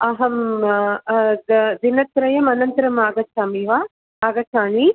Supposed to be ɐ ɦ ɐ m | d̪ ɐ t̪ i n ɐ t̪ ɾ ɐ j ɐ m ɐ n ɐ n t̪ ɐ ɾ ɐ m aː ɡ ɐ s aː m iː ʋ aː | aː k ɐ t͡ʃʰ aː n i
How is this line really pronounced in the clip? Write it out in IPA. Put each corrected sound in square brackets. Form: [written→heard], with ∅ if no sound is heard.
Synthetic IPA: ɐ ɦ ɐ m | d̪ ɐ [t̪→d̪] i n ɐ t̪ ɾ ɐ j ɐ m ɐ n ɐ n t̪ ɐ ɾ ɐ m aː ɡ ɐ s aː m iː ʋ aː | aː [k→ɡ] ɐ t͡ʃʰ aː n i